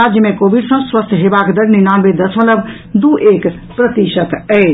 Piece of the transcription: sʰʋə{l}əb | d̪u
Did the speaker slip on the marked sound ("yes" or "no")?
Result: no